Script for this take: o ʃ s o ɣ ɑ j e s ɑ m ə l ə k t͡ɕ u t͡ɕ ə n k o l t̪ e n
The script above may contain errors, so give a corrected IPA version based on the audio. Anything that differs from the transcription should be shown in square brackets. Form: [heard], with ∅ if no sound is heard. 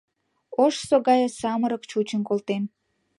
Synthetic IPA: o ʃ s o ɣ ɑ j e s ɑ m ə [ɾ] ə k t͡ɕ u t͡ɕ ə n k o l t̪ e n

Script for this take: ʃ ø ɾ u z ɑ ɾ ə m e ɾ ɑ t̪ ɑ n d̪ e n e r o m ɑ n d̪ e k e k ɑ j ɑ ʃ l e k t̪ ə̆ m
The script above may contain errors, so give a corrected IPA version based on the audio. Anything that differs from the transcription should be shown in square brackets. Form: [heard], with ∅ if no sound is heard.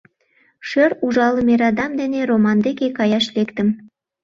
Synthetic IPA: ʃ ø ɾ u [ʒ] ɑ [l] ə m e ɾ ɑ [d̪] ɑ [m] d̪ e n e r o m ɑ n d̪ e k e k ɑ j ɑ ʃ l e k t̪ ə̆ m

